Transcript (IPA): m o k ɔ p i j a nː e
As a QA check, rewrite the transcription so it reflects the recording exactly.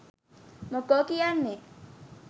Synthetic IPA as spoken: m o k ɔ k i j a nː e